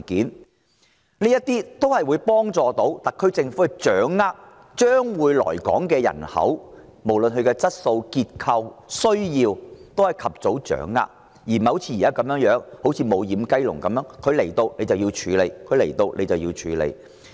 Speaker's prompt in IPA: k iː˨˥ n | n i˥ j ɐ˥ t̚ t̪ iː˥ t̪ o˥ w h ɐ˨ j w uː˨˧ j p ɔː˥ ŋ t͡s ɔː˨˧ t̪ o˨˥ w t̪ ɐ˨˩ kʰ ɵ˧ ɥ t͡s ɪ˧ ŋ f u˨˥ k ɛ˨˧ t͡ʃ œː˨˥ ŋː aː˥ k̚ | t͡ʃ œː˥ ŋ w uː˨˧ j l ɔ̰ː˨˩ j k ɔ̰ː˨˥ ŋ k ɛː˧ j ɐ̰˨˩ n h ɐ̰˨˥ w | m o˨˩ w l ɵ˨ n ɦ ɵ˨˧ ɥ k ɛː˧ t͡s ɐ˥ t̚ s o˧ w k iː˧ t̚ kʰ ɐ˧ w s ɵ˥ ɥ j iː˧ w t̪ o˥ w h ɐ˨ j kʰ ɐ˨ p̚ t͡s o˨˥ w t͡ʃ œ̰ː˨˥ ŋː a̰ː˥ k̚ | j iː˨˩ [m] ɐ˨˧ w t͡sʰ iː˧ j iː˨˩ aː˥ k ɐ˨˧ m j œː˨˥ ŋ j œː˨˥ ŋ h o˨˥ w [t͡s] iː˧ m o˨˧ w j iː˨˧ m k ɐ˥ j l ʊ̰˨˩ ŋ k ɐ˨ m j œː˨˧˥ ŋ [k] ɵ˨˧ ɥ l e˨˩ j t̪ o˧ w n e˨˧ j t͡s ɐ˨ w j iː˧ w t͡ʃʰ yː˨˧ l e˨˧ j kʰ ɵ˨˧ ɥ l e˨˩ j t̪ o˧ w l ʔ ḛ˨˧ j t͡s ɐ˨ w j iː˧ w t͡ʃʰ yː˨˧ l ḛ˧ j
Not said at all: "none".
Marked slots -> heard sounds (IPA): m, t͡sʰ, kʰ

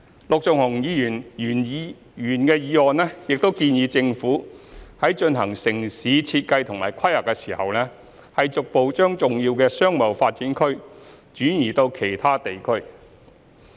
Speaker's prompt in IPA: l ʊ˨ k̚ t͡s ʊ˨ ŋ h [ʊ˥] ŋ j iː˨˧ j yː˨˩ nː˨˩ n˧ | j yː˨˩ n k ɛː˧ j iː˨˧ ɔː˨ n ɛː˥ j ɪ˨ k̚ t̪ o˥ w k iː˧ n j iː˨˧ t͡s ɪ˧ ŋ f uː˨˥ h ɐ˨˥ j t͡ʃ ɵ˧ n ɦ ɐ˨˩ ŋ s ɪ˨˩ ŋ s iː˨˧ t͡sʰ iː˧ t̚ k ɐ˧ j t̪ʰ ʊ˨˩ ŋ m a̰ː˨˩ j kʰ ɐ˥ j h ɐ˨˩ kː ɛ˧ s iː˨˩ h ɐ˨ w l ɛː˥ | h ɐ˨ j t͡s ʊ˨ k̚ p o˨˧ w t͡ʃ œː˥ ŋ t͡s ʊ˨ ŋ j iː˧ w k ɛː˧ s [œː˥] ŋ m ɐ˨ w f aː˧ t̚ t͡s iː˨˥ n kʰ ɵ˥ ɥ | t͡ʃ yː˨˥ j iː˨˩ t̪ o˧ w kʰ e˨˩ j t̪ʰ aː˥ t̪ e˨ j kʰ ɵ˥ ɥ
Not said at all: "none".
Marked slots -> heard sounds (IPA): ʊ˨˩, œː˥

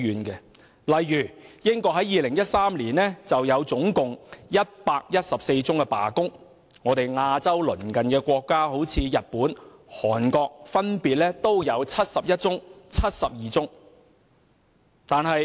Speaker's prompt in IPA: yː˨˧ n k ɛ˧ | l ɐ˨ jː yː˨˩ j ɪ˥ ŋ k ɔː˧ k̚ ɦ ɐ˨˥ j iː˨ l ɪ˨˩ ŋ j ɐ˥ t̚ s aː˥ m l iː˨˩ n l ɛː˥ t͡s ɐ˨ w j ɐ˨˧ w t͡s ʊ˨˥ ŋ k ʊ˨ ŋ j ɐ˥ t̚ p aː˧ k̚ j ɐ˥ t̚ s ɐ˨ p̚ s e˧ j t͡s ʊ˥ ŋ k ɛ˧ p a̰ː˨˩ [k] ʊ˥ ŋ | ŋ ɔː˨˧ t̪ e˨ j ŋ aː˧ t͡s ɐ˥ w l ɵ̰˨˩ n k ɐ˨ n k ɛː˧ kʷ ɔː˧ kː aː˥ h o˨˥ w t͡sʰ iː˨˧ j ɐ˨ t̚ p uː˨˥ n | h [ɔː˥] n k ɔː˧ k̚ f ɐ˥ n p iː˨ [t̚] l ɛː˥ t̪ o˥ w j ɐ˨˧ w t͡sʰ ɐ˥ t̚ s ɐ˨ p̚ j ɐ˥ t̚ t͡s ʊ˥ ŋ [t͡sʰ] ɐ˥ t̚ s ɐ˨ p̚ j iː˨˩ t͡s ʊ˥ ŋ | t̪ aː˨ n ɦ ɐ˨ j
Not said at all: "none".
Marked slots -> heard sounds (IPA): k, ɔː˨˩, t̚, t͡sʰ

